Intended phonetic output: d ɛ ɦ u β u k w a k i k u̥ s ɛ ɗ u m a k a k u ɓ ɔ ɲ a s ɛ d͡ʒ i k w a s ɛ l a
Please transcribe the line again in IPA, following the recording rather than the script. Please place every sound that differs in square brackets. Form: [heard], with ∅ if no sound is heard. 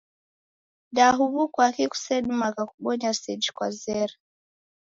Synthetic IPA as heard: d [a] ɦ u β u k w a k i k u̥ s ɛ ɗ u m a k a k u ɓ ɔ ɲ a s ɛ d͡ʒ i k w a [z] ɛ [ɾ] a